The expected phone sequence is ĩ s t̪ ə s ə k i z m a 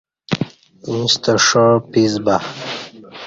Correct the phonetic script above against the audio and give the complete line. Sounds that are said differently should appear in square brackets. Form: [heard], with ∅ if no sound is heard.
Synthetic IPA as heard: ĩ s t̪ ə [ʂ] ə [p] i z [b] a